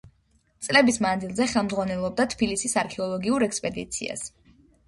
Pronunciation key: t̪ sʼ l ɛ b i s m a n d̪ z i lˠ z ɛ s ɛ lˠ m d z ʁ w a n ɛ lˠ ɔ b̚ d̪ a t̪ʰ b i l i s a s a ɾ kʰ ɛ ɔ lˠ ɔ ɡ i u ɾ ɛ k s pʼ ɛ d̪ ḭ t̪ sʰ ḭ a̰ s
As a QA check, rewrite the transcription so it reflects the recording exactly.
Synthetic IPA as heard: t̪ sʼ l ɛ b i s m a n d̪ z i lˠ z ɛ χ ɛ lˠ m d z ʁ w a n ɛ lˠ ɔ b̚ d̪ a t̪ʰ b i l i s i s a ɾ kʰ ɛ ɔ lˠ ɔ ɡ i u ɾ ɛ k s pʼ ɛ d̪ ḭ t̪ sʰ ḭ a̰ s